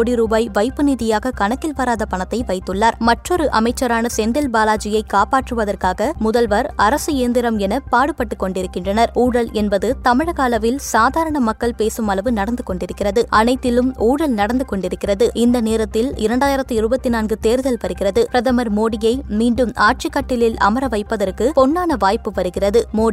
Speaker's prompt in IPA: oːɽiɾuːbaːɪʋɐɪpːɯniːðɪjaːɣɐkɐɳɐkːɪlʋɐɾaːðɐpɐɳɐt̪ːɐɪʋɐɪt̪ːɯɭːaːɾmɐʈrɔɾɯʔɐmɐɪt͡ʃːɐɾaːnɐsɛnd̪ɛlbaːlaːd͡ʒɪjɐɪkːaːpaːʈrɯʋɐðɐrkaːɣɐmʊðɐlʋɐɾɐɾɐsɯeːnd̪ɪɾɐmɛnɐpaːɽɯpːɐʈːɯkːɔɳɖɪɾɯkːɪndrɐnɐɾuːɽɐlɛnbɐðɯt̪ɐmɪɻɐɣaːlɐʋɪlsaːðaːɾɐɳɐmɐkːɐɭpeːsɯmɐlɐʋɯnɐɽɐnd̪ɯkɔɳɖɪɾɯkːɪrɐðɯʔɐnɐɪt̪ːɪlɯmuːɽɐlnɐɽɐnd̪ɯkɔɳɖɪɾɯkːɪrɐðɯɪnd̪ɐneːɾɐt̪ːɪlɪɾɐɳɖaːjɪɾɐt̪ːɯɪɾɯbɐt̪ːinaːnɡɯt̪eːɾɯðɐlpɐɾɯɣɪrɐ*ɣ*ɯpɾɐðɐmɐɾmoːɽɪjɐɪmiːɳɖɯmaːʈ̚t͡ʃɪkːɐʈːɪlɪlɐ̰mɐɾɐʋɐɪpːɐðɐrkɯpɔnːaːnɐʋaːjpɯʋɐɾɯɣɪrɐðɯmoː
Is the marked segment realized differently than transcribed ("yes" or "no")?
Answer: yes